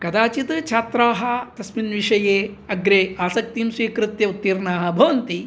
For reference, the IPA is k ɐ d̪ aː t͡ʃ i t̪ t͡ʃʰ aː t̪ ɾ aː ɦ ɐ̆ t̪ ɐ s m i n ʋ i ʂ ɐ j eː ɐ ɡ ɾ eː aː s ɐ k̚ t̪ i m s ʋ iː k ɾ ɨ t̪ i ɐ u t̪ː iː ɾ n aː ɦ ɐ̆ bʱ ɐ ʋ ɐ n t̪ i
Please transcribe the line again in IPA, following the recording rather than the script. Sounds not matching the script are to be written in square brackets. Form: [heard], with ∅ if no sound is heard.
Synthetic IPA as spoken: k ɐ d̪ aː t͡ʃ i t̪ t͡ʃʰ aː t̪ ɾ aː ɦ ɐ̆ t̪ ɐ s m i n ʋ i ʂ ɐ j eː ɐ ɡ ɾ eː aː s ɐ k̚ t̪ i m s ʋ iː k ɾ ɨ t̪ [j] ɐ u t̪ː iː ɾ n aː ɦ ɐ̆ bʱ ɐ ʋ ɐ n t̪ i